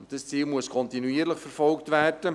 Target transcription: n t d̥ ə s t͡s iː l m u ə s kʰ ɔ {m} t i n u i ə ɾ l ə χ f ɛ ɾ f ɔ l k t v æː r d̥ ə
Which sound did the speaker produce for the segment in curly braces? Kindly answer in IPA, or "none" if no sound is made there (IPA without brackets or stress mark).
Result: n